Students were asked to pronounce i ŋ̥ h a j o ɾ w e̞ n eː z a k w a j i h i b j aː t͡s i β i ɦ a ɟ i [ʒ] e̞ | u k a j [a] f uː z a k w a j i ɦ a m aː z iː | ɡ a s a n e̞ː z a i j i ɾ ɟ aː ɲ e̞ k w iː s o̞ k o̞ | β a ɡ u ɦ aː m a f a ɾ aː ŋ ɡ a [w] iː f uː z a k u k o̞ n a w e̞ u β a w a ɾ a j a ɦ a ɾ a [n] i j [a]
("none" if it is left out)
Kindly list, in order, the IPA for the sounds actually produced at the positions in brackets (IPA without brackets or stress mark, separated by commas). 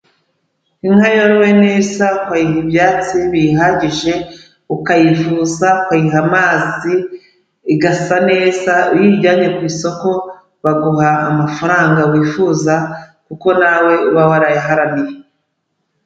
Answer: ʒ, i, w, n, e